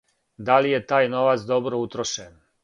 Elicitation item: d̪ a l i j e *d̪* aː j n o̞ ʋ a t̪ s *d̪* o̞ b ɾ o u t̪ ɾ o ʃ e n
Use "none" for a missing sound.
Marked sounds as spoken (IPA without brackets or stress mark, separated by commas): t̪, d̪